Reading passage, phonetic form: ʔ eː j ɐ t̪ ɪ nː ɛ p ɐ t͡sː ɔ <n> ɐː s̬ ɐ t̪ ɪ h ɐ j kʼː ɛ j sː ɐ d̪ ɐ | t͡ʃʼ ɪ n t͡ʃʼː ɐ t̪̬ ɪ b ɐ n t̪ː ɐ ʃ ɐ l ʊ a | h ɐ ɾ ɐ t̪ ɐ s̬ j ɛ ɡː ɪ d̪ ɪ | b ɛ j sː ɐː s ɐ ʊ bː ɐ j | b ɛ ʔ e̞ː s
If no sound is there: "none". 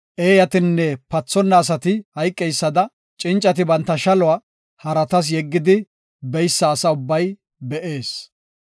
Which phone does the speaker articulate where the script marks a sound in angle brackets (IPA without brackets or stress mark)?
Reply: nː